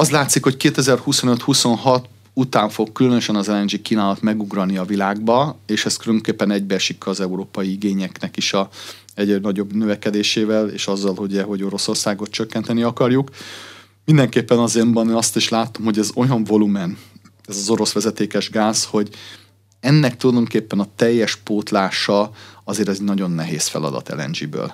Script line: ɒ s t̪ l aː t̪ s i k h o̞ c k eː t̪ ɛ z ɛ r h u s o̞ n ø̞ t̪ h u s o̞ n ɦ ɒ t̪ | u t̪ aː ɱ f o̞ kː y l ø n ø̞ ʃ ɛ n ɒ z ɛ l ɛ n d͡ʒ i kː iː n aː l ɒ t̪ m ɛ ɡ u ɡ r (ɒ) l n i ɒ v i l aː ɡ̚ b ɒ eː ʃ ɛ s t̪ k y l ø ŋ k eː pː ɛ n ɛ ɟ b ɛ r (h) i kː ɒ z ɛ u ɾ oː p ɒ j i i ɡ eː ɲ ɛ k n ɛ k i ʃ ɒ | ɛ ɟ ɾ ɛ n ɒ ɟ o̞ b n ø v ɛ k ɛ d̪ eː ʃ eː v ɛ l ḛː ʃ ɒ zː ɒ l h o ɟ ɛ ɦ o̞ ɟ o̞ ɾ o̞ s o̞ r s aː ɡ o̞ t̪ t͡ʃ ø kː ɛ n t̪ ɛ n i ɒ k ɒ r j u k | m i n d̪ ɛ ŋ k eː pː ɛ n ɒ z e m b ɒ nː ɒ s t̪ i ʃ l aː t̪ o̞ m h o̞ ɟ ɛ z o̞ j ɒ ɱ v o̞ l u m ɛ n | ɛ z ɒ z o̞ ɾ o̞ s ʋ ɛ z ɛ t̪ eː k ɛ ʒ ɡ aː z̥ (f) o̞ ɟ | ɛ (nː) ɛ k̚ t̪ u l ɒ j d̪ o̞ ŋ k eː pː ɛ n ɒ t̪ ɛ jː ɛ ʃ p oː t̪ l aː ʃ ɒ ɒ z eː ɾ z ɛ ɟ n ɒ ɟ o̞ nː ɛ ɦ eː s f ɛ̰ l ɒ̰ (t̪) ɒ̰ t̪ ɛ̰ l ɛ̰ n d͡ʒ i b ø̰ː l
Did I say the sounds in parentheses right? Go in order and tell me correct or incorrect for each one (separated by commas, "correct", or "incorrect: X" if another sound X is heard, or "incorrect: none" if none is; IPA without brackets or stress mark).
correct, incorrect: ʃ, incorrect: h, correct, incorrect: d̪